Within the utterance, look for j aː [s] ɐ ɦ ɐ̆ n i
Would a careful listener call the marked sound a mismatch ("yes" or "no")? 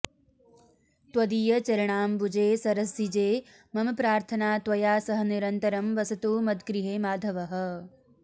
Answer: no